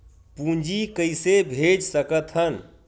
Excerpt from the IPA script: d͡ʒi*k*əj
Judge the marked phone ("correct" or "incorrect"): correct